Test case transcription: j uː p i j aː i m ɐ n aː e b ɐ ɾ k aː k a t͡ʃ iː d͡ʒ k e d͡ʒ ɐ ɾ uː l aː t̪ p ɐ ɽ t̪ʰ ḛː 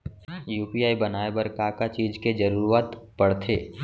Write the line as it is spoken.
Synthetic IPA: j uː p i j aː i b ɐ n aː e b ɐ ɾ k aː k a t͡ʃ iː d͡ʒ k e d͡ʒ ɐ ɾ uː ɾ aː t̪ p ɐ ɽ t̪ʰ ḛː